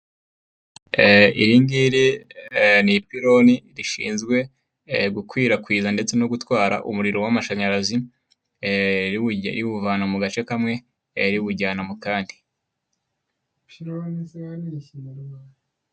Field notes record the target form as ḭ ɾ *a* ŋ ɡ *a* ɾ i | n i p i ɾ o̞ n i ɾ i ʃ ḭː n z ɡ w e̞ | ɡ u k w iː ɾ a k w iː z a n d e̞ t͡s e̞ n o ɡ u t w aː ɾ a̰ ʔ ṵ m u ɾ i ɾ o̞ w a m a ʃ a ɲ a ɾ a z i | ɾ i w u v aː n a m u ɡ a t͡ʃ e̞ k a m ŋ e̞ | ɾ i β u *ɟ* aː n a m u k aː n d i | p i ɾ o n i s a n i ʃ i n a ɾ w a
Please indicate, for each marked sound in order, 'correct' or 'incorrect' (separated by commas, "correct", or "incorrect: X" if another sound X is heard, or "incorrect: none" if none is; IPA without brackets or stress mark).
incorrect: i, incorrect: i, correct